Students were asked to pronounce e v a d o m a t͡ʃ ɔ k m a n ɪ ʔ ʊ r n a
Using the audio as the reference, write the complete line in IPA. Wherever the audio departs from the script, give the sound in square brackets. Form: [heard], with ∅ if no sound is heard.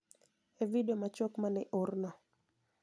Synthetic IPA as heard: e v [i] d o m a t͡ʃ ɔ k m a n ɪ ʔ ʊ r n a